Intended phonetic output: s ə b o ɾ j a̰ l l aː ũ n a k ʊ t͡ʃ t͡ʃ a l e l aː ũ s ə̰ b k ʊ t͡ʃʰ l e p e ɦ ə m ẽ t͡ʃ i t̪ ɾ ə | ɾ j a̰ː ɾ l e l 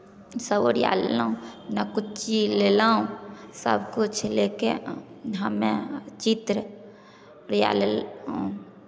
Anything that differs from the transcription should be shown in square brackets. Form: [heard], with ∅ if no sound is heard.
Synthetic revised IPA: s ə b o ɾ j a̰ l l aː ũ n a k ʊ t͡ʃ t͡ʃ [i] l e l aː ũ s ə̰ b k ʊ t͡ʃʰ l e [k] e ɦ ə m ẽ t͡ʃ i t̪ ɾ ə | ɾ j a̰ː [∅] l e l